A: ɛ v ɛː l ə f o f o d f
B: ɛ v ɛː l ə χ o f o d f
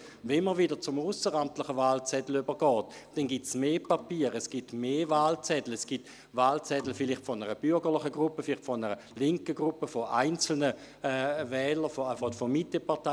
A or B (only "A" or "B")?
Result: A